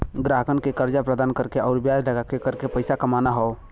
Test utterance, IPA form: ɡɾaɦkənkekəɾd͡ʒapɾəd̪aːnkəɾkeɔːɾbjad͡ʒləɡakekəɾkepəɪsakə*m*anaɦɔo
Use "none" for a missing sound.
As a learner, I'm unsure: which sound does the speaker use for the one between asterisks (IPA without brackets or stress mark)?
m